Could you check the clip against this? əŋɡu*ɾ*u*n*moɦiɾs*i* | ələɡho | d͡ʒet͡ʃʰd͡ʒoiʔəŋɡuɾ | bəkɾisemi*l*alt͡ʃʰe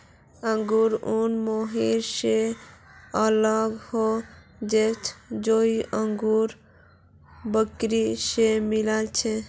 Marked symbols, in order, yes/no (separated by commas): yes, yes, no, yes